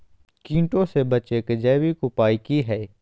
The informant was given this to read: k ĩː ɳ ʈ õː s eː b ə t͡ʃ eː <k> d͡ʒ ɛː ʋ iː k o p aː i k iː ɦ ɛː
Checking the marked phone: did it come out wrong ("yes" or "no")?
no